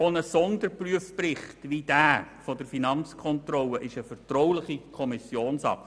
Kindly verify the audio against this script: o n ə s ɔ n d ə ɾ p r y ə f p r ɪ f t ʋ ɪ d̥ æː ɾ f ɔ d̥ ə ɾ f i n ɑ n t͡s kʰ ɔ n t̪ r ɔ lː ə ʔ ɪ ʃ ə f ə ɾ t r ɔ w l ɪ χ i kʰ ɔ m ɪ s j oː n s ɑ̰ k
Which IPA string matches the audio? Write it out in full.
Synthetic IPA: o n ə s ɔ n d ə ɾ p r y ə f p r ɪ χ t ʋ i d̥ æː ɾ f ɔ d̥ ə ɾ f i n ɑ n t͡s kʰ ɔ n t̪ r ɔ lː ə ʔ ɪ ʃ ə f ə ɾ t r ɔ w l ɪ χ i kʰ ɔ m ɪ s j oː n s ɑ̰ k